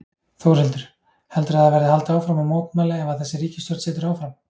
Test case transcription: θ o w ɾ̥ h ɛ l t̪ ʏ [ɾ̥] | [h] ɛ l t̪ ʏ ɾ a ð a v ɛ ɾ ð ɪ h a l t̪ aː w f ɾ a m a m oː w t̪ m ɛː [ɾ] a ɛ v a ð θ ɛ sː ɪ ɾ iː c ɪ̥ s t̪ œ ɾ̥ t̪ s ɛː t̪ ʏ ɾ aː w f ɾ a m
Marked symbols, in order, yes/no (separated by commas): yes, yes, no